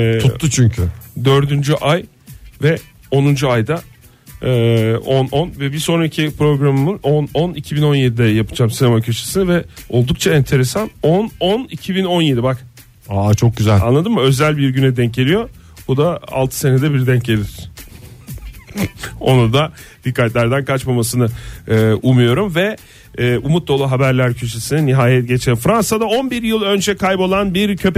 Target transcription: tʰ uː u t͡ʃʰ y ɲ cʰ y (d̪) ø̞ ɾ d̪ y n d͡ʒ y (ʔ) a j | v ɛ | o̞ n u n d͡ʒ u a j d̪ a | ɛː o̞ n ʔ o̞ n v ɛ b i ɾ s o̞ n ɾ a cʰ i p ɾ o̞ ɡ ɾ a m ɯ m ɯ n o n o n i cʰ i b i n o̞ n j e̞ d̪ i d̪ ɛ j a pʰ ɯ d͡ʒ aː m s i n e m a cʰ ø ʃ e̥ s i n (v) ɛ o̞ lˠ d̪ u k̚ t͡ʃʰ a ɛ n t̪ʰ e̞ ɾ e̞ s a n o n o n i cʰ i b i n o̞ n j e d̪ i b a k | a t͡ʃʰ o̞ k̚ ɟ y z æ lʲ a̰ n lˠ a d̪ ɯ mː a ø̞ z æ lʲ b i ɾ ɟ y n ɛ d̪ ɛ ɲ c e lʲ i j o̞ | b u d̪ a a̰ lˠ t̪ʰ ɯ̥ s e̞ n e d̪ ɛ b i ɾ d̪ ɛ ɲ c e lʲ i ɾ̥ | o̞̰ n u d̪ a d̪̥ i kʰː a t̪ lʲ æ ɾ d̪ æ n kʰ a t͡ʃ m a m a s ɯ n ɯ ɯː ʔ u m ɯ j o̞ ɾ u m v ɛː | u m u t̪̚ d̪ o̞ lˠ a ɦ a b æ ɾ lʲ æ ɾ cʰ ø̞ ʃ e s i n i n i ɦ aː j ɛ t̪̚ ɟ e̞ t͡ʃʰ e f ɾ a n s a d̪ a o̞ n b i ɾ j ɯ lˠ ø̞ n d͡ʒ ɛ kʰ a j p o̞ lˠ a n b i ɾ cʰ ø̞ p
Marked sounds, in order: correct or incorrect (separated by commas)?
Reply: correct, correct, correct